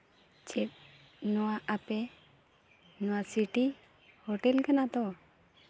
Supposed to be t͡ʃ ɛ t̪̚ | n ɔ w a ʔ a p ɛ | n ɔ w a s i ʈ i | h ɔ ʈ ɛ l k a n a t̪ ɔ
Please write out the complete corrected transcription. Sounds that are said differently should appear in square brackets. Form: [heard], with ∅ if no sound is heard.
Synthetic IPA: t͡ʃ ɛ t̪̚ | n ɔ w a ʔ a p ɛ | n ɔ w a s i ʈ i | h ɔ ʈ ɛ l k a n a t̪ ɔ